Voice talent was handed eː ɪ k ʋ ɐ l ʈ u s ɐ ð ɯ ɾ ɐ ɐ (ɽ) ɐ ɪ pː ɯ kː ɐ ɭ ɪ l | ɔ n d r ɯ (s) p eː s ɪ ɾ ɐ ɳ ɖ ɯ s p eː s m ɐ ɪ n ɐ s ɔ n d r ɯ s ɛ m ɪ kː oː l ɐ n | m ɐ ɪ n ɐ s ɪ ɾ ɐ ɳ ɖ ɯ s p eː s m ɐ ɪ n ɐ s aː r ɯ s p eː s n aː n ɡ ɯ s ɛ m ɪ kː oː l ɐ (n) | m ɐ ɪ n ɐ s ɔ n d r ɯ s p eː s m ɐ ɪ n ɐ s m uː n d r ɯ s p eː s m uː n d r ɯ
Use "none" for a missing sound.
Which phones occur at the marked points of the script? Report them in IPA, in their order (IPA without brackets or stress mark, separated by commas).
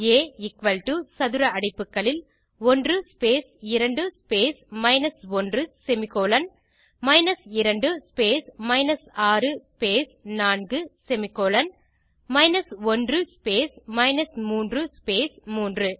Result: ɽ, s, n